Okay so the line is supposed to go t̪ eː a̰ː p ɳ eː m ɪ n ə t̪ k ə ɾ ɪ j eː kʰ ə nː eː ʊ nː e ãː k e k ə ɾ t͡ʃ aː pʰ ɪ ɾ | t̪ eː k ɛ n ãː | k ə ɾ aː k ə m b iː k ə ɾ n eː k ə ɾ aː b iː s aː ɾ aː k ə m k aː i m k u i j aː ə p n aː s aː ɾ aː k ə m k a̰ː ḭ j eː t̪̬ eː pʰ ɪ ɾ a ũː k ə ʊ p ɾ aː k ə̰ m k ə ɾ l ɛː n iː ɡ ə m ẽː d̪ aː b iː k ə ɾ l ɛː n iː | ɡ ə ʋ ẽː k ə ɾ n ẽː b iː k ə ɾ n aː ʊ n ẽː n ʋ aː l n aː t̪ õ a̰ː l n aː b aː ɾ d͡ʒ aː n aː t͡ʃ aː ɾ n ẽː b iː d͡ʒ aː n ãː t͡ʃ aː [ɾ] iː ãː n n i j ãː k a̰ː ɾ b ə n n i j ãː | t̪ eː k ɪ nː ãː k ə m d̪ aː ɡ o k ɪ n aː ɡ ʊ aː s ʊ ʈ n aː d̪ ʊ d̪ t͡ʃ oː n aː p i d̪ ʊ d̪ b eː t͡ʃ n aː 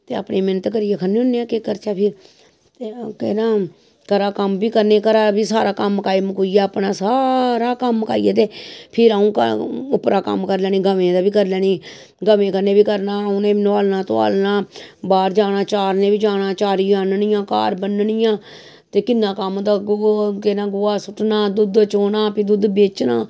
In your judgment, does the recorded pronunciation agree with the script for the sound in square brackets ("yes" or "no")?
yes